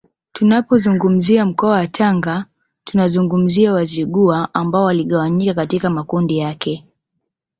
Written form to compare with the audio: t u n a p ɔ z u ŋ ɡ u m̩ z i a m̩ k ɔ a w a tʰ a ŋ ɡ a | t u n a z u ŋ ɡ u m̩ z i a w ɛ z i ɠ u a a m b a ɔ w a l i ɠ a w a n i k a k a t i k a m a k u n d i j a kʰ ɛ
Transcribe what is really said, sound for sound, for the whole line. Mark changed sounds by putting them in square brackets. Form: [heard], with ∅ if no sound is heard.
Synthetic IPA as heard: t u n a p ɔ z u ŋ ɡ u m̩ z i a m̩ k ɔ a w a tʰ a ŋ ɡ a | t u n a z u ŋ ɡ u m̩ z i a w [a] z i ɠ u a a m b a ɔ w a l i ɠ a w a [ɲ] i k a k a t i k a m a k u n d i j a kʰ ɛ